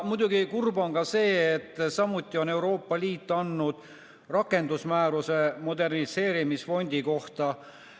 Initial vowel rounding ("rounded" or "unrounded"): rounded